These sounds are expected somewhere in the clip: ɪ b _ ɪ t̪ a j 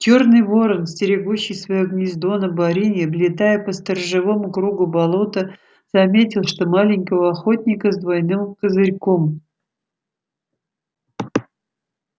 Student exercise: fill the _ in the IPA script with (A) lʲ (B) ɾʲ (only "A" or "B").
A